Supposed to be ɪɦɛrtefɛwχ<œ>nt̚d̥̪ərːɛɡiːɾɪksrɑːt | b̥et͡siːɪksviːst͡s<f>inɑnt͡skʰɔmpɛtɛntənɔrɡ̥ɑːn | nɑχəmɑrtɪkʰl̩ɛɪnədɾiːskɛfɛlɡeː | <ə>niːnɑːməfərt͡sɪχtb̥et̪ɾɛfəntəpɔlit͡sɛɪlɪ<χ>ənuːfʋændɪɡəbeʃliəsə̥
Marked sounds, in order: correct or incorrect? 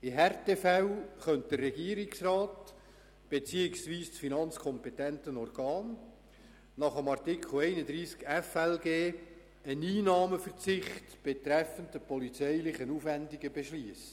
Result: correct, correct, correct, correct

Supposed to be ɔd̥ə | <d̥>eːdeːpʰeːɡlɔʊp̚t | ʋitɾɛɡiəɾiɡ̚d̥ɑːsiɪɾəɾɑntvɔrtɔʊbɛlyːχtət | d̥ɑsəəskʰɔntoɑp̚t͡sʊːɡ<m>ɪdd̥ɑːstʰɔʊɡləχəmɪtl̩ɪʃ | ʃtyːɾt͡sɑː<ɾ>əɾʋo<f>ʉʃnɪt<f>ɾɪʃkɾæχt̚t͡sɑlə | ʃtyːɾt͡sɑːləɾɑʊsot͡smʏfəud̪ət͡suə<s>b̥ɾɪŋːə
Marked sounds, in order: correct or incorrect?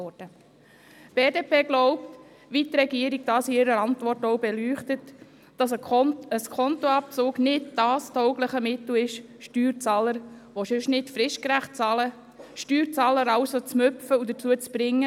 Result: incorrect: b̥, incorrect: n, incorrect: l, incorrect: ʃ, correct, incorrect: t͡s

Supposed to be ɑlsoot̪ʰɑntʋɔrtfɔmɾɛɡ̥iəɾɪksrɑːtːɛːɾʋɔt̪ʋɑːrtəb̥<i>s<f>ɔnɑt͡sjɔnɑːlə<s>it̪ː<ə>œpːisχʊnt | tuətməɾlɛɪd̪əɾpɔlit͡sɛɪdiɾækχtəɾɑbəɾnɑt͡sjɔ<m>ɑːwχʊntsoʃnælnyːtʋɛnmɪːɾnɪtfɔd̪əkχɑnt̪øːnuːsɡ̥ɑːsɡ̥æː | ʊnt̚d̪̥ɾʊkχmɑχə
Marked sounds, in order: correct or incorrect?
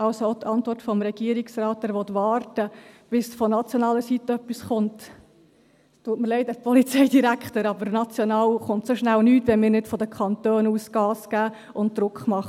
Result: incorrect: ɪ, correct, correct, correct, incorrect: n

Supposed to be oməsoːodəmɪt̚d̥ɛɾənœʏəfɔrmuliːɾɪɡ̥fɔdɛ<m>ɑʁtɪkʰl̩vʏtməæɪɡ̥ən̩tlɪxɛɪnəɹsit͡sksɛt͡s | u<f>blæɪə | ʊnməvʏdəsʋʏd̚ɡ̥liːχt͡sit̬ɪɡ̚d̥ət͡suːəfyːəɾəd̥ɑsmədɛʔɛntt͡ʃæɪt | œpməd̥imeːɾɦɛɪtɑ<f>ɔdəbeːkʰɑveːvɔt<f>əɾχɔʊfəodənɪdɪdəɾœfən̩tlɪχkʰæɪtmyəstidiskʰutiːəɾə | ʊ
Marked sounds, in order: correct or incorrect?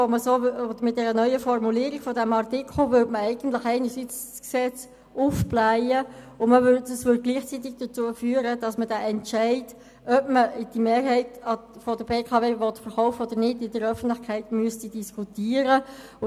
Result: correct, correct, correct, correct

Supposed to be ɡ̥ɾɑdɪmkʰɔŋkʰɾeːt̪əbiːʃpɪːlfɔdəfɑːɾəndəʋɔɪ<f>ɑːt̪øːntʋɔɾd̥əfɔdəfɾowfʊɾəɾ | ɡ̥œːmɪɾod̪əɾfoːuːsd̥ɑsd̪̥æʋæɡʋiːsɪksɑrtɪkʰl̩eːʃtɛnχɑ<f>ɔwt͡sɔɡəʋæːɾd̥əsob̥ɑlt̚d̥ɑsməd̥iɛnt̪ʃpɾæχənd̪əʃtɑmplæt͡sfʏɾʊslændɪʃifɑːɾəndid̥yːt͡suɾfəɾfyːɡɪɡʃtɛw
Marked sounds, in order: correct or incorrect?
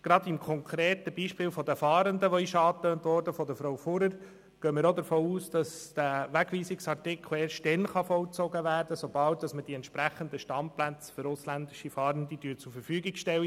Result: incorrect: ʃ, correct

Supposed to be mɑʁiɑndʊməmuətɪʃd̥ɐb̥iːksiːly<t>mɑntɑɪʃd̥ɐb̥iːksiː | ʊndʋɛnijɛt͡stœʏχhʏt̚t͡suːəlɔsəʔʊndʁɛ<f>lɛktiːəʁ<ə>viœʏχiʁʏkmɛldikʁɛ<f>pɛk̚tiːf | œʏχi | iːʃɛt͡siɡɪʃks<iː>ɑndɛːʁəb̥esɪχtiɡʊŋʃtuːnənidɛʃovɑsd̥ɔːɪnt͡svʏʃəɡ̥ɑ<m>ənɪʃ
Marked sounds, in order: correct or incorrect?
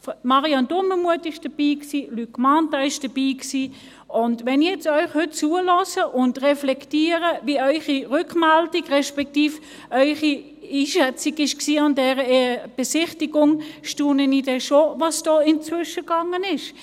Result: incorrect: k, correct, correct, incorrect: ʃ, correct, incorrect: ŋ

